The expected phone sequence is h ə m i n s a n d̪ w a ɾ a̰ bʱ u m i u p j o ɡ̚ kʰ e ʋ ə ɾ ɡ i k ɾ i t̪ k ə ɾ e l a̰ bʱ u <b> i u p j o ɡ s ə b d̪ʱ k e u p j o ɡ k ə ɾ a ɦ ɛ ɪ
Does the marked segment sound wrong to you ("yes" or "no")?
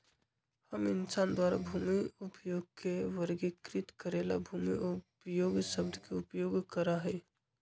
yes